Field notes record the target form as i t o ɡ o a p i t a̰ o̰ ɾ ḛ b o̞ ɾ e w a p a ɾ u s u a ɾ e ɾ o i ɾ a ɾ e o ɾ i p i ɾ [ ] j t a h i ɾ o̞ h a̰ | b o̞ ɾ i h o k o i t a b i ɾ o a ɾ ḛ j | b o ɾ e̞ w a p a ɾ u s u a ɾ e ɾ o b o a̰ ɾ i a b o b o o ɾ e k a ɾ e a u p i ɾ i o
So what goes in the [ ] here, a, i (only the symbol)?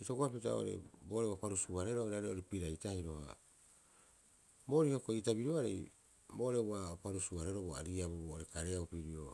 a